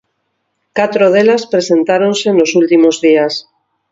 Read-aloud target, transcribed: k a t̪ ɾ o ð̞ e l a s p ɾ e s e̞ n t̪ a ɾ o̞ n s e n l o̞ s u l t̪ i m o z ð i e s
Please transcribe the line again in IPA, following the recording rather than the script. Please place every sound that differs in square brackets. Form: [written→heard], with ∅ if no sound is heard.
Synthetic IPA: k a t̪ ɾ o ð̞ e l a s p ɾ e s e̞ n t̪ a ɾ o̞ n s e n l o̞ s u l t̪ i m o z ð i [e→a] s